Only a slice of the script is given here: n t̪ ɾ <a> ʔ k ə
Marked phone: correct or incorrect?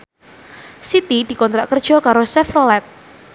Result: correct